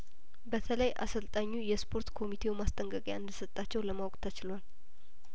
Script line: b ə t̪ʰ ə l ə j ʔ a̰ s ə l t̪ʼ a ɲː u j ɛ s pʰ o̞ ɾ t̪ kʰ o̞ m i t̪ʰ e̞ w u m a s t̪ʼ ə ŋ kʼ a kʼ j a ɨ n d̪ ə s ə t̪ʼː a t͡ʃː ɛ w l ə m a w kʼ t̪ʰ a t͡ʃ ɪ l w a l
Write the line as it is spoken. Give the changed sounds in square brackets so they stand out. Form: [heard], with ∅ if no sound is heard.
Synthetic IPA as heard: b ə t̪ʰ ə l ə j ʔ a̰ s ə l t̪ʼ a ɲː u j ɛ s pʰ o̞ ɾ t̪ kʰ o̞ m i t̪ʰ e̞ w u m a s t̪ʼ ə ŋ kʼ [ə] kʼ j a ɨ n d̪ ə s ə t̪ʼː a t͡ʃː ɛ w l ə m a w kʼ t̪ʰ a t͡ʃ ɪ l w a l